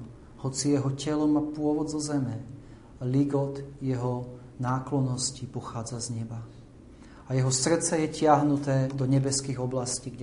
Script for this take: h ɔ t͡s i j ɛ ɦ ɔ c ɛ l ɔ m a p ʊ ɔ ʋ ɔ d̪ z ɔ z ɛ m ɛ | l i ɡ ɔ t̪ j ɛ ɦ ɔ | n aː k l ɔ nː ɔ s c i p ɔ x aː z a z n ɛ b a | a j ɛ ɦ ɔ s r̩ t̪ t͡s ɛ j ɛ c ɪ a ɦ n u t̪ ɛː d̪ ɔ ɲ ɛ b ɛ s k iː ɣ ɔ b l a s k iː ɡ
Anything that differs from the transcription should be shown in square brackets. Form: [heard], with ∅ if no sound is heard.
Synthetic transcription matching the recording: h ɔ t͡s i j ɛ ɦ ɔ c ɛ l ɔ m a p ʊ ɔ ʋ ɔ d̪ z ɔ z ɛ m ɛ | l i ɡ ɔ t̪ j ɛ ɦ ɔ | n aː k l ɔ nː ɔ s c i p ɔ x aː [d͡z] a z [ɲ] ɛ b a | a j ɛ ɦ ɔ s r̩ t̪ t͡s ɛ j ɛ c ɪ a ɦ n u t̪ ɛː d̪ ɔ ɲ ɛ b ɛ s k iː ɣ ɔ b l a s [c] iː ɡ